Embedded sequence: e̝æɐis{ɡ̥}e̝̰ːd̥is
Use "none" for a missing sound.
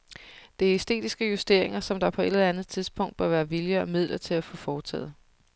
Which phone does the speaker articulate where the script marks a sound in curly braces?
d̥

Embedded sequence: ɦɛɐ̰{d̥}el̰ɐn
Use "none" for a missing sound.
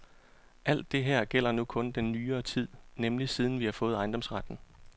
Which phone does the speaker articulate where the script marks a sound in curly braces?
ɡ̥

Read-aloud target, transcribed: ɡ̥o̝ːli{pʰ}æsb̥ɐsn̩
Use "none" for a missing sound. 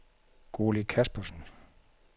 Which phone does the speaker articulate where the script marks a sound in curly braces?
kʰ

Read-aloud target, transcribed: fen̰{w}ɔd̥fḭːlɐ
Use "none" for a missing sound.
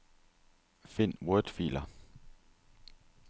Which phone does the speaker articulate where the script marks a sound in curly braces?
w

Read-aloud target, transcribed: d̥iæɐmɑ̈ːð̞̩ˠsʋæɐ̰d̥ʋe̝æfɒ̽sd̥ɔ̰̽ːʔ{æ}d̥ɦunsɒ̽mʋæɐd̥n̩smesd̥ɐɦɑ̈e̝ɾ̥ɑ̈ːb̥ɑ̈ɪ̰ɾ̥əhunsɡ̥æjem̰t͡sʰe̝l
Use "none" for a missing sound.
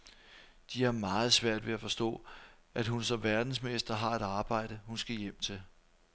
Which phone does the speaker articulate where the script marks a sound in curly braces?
æ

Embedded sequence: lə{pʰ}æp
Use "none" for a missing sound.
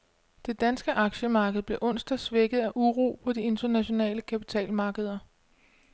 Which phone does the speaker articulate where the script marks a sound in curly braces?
kʰ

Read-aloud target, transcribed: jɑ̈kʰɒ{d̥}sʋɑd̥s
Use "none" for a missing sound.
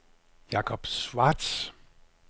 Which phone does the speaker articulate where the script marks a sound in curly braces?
b̥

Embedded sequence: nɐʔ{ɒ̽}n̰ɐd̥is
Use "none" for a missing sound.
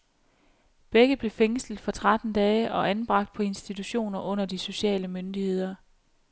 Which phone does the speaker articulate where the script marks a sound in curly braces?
ɔ̽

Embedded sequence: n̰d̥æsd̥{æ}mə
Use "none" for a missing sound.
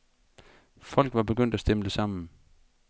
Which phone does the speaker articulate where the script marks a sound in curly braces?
e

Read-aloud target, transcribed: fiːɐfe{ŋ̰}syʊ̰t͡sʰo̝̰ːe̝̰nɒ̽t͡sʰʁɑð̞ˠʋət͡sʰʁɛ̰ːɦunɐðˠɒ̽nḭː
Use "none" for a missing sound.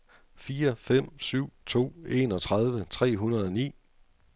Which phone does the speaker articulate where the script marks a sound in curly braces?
m̰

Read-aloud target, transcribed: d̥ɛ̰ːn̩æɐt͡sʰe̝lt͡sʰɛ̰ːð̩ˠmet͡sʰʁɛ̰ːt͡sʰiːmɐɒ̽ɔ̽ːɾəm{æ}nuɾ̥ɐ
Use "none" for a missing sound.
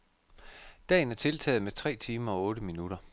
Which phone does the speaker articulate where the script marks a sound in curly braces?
i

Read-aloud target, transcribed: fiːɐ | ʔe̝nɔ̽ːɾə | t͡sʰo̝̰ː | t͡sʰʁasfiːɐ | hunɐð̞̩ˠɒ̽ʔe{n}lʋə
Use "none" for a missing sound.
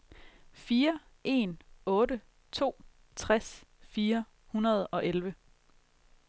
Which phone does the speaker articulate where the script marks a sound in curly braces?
none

